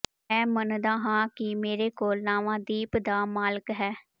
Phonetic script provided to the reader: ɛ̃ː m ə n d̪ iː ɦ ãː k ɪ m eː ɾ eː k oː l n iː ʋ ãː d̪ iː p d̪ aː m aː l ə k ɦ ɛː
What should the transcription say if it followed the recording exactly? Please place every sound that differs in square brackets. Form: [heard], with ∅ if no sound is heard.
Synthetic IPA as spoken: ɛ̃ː m ə n d̪ [aː] ɦ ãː k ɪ m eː ɾ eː k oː l n [aː] ʋ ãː d̪ iː p d̪ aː m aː l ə k ɦ ɛː